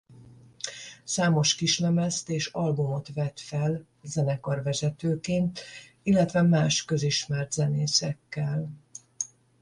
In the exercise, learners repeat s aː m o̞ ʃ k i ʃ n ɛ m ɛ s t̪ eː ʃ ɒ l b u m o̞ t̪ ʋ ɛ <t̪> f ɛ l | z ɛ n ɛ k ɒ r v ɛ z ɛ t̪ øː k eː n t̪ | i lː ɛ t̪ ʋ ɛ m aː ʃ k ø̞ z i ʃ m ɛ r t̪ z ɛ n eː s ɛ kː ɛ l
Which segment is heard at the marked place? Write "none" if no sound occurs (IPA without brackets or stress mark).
t̪